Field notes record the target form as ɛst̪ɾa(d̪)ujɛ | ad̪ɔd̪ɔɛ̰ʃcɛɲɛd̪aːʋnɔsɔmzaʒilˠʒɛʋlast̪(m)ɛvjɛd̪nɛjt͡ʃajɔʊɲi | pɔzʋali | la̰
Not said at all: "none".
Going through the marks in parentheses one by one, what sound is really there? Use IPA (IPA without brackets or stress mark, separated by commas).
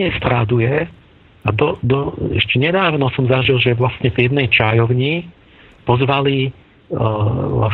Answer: d̪, ɲ